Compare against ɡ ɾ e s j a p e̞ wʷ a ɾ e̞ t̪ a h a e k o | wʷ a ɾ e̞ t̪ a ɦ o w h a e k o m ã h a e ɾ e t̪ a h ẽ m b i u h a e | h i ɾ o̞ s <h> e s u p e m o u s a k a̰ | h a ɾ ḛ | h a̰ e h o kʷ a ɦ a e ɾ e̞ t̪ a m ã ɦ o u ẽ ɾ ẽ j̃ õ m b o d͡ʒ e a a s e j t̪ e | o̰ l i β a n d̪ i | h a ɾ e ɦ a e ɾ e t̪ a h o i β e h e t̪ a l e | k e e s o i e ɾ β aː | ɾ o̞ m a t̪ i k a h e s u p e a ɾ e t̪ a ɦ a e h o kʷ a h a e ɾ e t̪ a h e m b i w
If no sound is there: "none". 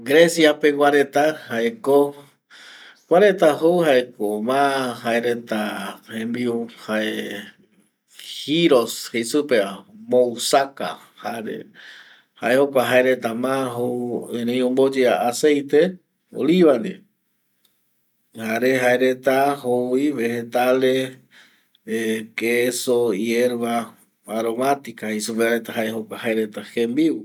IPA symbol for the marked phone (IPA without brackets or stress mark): h